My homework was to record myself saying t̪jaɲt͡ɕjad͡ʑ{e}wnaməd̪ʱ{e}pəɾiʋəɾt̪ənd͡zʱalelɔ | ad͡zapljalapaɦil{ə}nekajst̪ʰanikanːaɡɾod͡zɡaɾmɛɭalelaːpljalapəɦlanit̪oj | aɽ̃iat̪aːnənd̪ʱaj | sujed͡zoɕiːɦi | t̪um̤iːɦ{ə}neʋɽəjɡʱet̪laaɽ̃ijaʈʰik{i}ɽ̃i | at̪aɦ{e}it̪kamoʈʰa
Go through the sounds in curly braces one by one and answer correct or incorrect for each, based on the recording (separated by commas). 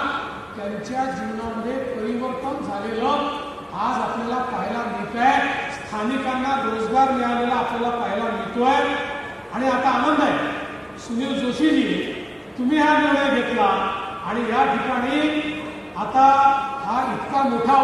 incorrect, correct, incorrect, incorrect, incorrect, incorrect